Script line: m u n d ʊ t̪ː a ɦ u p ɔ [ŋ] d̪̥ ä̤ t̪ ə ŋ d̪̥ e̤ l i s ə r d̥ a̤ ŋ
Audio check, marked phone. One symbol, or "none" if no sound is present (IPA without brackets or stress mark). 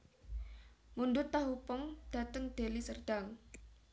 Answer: ŋ